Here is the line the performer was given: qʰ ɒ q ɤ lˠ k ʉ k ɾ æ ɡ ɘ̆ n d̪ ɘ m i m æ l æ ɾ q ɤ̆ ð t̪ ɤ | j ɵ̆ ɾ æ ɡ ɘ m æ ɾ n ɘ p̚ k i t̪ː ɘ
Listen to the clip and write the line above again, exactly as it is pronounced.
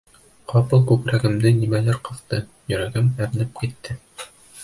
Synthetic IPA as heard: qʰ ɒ p ɤ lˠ k ʉ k ɾ æ ɡ ɘ̆ m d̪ ɘ n i m æ l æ ɾ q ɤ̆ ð t̪ ɤ | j ɵ̆ ɾ æ ɡ ɘ m æ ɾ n ɘ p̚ k i t̪ː ɘ